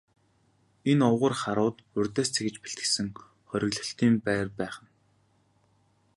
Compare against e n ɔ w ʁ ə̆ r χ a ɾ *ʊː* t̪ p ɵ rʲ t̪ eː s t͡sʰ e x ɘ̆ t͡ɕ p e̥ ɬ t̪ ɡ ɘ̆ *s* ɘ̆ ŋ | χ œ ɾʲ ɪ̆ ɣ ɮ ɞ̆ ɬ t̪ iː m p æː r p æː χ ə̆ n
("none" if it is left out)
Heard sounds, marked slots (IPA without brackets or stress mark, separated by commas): ʊː, s